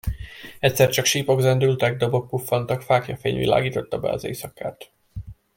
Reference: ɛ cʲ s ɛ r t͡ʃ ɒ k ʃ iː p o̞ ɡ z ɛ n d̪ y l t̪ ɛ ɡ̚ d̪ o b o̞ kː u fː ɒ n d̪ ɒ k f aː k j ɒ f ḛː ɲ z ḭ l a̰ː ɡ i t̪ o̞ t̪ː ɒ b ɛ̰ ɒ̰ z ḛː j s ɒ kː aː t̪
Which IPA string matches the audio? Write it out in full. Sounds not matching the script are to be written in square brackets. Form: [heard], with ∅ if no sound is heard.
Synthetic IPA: ɛ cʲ s ɛ r t͡ʃ ɒ k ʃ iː p o̞ ɡ z ɛ n d̪ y l t̪ ɛ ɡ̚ d̪ o b o̞ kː u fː ɒ n [t̪] ɒ k f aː k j ɒ f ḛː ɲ [v] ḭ l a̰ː ɡ [iː] t̪ o̞ t̪ː ɒ b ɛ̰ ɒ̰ z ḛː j s ɒ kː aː t̪